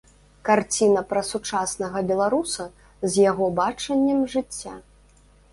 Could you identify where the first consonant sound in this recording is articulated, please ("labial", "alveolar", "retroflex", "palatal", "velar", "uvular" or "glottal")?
velar